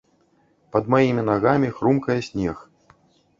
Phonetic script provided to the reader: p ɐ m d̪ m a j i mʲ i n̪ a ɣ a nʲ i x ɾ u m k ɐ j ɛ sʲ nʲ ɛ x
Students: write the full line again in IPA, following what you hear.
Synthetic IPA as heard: p ɐ d̪ m a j i mʲ i n̪ a ɣ a mʲ i x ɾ u m k ɐ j ɛ sʲ nʲ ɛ x